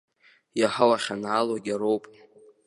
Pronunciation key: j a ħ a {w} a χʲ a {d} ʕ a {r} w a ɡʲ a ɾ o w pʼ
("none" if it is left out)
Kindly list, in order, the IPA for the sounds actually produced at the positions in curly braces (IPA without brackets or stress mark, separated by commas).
w, n, l